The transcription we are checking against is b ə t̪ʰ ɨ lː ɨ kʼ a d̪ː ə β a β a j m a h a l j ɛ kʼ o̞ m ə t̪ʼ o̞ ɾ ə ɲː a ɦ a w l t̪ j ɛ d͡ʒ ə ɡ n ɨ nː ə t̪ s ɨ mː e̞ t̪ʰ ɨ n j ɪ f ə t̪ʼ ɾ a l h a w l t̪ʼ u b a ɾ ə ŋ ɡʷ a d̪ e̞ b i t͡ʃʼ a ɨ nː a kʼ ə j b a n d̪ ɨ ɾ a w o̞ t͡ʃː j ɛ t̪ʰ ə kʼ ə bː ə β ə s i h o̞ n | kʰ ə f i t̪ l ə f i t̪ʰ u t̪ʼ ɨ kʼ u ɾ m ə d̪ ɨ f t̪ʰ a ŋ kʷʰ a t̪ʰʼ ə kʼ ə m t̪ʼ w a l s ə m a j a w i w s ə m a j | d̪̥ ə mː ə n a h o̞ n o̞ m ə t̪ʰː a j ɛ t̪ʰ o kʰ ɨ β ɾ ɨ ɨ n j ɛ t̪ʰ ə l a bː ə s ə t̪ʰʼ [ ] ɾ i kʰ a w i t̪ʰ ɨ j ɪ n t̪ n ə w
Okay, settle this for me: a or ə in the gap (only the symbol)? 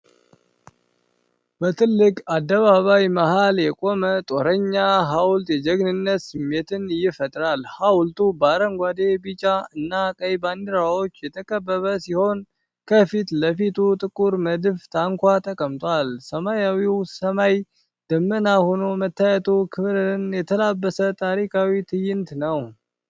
a